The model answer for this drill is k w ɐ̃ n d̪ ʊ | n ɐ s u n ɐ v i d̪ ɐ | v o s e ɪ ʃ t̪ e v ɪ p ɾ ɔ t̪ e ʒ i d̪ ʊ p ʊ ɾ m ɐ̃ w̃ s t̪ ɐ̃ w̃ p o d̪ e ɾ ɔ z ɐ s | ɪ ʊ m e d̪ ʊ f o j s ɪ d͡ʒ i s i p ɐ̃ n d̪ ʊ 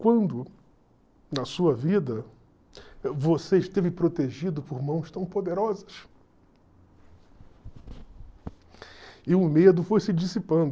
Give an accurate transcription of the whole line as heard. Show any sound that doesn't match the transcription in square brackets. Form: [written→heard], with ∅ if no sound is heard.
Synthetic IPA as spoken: k w ɐ̃ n d̪ ʊ | n ɐ s u [n→∅] ɐ v i d̪ ɐ | v o s e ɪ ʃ t̪ e v ɪ p ɾ [ɔ→o] t̪ e ʒ i d̪ ʊ p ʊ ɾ m ɐ̃ w̃ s t̪ ɐ̃ w̃ p o d̪ e ɾ ɔ z ɐ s | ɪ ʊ m e d̪ ʊ f o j s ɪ d͡ʒ i s i p ɐ̃ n d̪ ʊ